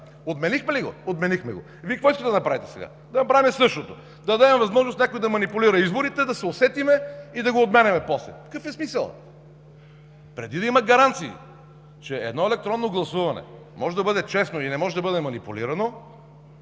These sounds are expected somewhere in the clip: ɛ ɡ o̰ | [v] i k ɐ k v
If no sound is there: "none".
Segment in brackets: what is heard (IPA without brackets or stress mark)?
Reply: v